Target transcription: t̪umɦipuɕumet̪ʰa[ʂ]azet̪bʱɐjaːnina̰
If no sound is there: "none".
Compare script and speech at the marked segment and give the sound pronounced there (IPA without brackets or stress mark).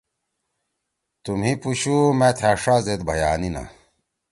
ʂ